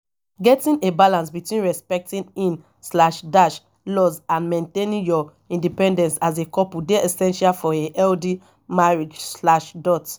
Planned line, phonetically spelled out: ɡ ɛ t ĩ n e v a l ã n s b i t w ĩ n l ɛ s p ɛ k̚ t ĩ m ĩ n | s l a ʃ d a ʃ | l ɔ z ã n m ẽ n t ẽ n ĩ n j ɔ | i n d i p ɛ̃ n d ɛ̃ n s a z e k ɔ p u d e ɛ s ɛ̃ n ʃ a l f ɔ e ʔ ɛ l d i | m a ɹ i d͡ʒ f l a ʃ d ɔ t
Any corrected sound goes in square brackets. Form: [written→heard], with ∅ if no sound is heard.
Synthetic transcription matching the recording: ɡ ɛ t ĩ n e [v→b] a l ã n s b i t w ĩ n [l→ɹ] ɛ s p ɛ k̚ t ĩ [m→n] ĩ n | s l a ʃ d a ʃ | l ɔ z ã n m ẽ n t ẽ n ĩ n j ɔ | [i→ĩ] n d i p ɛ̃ n d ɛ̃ n s a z e k ɔ p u d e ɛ s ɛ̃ n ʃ a l f ɔ e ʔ ɛ l d i | m a ɹ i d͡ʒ [f→s] l a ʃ d ɔ t